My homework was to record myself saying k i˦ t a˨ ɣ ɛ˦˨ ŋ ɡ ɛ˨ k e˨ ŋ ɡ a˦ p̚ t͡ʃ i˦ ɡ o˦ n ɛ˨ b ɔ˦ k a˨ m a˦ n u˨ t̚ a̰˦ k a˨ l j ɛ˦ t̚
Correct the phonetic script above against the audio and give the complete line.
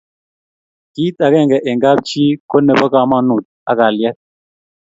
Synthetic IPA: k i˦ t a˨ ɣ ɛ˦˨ ŋ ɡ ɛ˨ ʔ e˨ ŋ ɡ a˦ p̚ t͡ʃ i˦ k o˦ n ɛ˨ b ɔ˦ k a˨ m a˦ n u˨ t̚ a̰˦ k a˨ l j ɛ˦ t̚